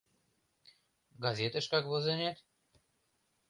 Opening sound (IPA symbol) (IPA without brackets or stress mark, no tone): ɡ